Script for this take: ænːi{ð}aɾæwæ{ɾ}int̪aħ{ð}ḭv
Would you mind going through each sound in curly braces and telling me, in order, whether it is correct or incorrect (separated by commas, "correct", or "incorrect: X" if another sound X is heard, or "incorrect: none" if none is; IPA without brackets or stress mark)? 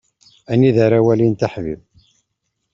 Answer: correct, incorrect: l, incorrect: v